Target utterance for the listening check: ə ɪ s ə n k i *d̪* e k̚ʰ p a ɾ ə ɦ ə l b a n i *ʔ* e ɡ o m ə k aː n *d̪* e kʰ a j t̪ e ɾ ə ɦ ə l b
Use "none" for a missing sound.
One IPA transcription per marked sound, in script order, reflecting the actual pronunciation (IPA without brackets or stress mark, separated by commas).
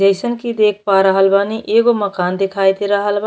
d̪, ʔ, d̪